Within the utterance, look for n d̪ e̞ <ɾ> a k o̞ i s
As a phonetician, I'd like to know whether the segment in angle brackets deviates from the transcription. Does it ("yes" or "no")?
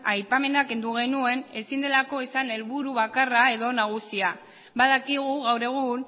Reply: yes